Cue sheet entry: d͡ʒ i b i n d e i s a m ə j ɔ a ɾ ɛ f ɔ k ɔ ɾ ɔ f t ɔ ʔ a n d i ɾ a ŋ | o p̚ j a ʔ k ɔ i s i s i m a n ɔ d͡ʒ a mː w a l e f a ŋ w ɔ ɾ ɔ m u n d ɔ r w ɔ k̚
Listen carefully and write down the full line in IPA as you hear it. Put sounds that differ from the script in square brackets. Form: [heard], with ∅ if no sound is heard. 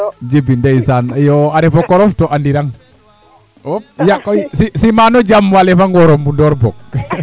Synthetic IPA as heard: d͡ʒ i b i n d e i s a [n] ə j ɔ a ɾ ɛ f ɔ k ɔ ɾ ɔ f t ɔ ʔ a n d i ɾ a ŋ | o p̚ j a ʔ k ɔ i s i s i m a n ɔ d͡ʒ a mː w a l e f a ŋ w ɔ ɾ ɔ m u n d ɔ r [b] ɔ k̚